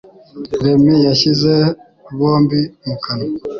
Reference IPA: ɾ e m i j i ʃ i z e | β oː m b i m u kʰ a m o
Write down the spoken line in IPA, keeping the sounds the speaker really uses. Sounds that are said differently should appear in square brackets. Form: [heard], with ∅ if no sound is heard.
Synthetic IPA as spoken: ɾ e m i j [a] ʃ i z e | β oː m b i m u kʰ a [n] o